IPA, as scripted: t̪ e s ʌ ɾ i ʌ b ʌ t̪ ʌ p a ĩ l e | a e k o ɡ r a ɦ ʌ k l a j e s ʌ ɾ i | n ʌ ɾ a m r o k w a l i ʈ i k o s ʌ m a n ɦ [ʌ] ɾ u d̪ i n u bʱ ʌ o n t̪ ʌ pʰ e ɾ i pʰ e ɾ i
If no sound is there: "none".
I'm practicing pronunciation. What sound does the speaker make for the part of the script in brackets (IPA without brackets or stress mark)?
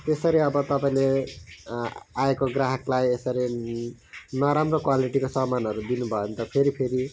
ʌ